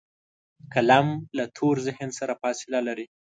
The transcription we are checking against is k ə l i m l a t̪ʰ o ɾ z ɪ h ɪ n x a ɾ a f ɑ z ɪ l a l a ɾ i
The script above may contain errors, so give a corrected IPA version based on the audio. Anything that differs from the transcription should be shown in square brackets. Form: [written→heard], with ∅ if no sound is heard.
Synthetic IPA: k [ə→a] l [i→a] m l a t̪ʰ o ɾ z ɪ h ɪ n [x→s] a ɾ a f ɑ [z→s] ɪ l a l a ɾ i